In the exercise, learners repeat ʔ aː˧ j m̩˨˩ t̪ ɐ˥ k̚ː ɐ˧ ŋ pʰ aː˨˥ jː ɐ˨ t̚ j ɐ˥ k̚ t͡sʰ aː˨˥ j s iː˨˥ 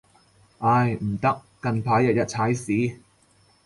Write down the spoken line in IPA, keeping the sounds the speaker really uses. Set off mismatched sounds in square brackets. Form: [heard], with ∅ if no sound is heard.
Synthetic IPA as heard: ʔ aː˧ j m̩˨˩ t̪ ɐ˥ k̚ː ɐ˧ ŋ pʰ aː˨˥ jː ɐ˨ t̚ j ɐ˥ [t̚] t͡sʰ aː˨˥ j s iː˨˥